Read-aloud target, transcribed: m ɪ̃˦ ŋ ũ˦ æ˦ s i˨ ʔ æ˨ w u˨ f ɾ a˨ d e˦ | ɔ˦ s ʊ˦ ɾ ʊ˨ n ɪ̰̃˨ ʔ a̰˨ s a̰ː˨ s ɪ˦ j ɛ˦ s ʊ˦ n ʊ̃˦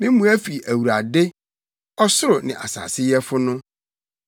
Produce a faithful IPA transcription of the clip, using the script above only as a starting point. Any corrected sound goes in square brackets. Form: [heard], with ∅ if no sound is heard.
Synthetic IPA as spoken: m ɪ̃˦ [m] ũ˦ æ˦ [f] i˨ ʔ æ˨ w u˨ [∅] ɾ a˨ d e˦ | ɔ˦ s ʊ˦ ɾ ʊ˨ n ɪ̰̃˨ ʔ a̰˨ s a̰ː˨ s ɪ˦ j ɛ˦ [f] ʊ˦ n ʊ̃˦